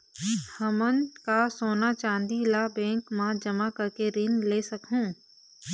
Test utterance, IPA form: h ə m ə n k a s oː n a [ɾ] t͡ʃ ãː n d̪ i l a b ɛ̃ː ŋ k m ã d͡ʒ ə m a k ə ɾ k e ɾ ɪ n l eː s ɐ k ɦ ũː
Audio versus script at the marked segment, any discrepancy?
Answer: yes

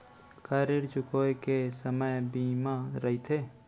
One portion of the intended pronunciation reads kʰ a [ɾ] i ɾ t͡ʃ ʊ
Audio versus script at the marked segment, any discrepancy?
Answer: no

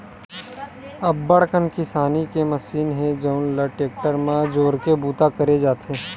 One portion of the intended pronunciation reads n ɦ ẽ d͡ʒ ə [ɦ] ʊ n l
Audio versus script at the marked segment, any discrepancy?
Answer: yes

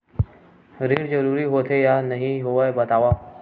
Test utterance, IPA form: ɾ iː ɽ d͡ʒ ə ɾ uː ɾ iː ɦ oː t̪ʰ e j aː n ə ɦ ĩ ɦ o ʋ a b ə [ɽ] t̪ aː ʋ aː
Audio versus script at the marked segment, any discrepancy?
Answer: yes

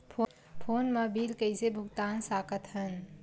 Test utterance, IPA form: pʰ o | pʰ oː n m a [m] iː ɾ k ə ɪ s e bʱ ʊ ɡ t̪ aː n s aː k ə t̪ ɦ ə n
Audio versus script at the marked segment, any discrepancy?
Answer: yes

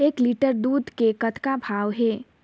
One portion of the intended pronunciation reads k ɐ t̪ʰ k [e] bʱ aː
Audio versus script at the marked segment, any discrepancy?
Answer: yes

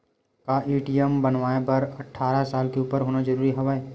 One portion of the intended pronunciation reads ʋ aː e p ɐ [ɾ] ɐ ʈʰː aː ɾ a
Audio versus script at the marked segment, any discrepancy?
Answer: no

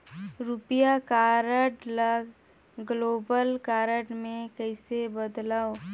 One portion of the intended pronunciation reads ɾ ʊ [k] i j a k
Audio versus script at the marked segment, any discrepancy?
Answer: yes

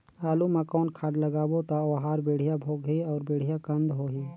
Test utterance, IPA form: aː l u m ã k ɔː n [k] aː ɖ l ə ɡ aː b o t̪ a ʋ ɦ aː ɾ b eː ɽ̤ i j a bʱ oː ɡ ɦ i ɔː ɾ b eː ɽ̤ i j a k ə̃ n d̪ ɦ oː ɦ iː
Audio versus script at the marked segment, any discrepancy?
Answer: yes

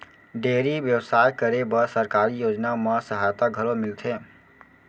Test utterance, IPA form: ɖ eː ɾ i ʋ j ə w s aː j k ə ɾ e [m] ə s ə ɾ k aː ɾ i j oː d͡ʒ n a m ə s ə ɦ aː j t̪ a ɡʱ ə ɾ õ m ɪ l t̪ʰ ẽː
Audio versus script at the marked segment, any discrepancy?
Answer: yes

